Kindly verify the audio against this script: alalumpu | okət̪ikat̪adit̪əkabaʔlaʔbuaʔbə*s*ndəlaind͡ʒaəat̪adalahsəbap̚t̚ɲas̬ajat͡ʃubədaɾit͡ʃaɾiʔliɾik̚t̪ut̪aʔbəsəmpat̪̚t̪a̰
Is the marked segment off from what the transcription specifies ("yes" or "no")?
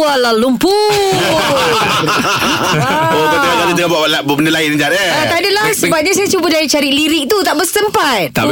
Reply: yes